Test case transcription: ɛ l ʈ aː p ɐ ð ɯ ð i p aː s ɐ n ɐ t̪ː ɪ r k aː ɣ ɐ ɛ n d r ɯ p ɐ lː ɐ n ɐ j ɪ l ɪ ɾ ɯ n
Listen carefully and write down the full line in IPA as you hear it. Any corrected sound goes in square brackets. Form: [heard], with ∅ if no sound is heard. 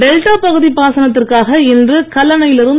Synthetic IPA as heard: ɛ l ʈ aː p ɐ [ɣ] ɯ ð i p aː s ɐ n ɐ t̪ː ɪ r k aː ɣ ɐ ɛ n d r ɯ [k] ɐ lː ɐ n ɐ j ɪ l ɪ ɾ ɯ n